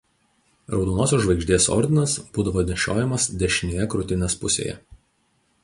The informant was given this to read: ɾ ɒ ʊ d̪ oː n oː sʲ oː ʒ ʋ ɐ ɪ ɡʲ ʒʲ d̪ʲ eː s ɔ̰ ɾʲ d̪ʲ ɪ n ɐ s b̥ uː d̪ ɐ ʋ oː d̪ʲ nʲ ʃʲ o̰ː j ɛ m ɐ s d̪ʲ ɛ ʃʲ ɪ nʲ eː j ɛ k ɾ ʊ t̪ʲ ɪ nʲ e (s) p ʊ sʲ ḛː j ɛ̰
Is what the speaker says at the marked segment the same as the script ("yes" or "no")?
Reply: yes